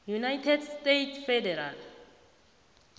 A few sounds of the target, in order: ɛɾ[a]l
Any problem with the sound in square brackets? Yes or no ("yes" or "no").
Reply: no